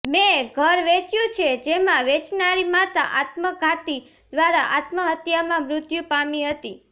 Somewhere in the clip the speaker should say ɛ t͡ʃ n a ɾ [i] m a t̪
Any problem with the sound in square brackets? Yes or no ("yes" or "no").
no